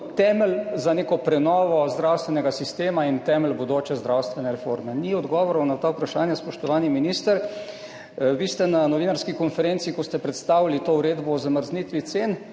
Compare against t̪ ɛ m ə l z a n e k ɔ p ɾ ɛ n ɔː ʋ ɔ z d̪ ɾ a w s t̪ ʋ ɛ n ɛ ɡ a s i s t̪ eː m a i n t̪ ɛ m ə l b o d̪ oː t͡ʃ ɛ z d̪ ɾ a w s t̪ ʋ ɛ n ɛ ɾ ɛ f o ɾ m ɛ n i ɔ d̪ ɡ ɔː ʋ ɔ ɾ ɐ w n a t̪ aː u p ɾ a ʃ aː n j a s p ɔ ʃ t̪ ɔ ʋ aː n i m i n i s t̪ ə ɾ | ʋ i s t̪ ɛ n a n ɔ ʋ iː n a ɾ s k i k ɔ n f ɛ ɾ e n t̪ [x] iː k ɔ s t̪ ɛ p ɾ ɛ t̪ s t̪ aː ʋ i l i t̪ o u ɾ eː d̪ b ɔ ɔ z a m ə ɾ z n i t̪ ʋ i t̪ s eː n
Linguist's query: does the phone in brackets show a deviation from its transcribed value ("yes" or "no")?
yes